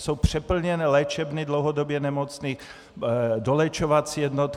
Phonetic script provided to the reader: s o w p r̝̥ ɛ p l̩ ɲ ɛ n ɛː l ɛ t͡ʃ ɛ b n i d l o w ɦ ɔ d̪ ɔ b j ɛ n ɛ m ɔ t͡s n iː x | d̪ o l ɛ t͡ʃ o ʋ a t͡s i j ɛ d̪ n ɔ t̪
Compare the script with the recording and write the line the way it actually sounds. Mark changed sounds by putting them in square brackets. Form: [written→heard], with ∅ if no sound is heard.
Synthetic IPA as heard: s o w p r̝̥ ɛ p l̩ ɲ ɛ n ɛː l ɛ t͡ʃ ɛ b n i d l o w ɦ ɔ d̪ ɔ b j ɛ n ɛ m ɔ t͡s n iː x | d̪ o l ɛ t͡ʃ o ʋ a t͡s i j ɛ d̪ n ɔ t̪